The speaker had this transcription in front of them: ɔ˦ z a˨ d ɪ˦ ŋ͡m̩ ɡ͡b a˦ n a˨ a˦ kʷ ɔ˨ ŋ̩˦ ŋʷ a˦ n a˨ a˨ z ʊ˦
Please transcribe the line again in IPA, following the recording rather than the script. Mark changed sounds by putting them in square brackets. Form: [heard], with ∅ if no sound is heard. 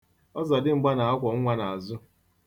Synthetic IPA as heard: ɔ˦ z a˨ d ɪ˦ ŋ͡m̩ ɡ͡b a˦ n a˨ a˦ kʷ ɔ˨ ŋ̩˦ ŋʷ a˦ n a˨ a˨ z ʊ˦